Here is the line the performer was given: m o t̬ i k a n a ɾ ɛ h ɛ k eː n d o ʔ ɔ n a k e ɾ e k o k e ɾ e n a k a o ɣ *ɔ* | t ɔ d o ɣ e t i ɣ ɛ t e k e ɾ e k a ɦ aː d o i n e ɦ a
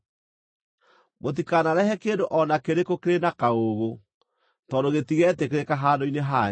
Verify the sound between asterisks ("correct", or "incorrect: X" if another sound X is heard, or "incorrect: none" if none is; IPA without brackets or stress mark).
incorrect: o